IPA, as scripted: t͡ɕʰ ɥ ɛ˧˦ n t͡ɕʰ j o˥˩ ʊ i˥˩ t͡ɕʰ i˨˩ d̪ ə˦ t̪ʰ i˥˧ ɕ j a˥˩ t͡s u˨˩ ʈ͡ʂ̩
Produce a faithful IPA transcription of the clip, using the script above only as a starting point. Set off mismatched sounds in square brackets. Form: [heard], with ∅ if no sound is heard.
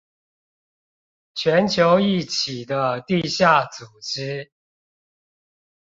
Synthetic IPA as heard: t͡ɕʰ ɥ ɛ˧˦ n t͡ɕʰ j [o˨˦] ʊ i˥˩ t͡ɕʰ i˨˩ d̪ ə˦ [t̪] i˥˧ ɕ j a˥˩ t͡s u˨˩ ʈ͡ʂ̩